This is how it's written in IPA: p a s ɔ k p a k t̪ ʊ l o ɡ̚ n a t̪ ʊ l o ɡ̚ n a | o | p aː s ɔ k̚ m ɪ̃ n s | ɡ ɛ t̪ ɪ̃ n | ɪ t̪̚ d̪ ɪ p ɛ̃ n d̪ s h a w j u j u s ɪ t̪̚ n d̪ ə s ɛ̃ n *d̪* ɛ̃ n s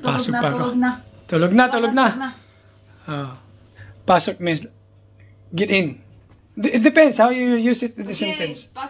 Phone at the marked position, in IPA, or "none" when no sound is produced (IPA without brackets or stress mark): t̪